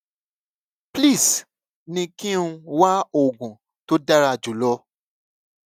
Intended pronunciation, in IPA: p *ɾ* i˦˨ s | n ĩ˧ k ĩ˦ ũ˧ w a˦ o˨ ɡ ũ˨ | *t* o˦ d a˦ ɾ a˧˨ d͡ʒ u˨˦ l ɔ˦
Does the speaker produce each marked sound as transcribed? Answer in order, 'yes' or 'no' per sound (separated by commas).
no, yes